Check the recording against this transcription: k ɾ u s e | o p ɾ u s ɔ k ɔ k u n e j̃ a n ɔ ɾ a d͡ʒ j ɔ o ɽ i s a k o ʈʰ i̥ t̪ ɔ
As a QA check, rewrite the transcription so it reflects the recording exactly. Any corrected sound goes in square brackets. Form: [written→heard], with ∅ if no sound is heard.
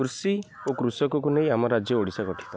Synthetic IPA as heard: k ɾ u s [e→i] | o [p→k] ɾ u s ɔ k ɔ k u n e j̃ a [n→m] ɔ ɾ a d͡ʒ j ɔ o ɽ i s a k [o→ɔ] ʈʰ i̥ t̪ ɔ